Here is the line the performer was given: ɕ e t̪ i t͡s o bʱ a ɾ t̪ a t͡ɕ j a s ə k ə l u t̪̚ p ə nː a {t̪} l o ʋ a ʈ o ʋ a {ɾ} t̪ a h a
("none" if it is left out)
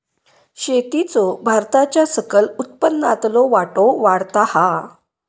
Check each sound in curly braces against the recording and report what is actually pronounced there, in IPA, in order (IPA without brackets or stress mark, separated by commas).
t̪, ɽ